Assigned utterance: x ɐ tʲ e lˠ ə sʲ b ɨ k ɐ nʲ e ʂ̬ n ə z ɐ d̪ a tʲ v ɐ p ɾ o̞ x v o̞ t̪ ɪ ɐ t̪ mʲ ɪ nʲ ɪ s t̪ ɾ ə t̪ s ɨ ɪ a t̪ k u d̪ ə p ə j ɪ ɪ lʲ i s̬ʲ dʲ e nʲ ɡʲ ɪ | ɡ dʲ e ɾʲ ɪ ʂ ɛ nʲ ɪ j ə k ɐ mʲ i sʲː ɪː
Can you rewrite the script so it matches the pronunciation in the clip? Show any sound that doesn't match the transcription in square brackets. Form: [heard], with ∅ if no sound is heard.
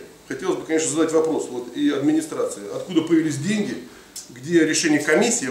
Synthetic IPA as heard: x ɐ tʲ e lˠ ə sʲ b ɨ k ɐ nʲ e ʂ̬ n ə z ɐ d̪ a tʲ v ɐ p ɾ o̞ [s] v o̞ t̪ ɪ ɐ [d̪] mʲ ɪ nʲ ɪ s t̪ ɾ [a] t̪ s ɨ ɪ [ɐ] t̪ k u d̪ ə p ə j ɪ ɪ lʲ i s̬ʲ dʲ e nʲ ɡʲ ɪ | ɡ dʲ e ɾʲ ɪ ʂ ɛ nʲ ɪ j ə k ɐ mʲ i sʲː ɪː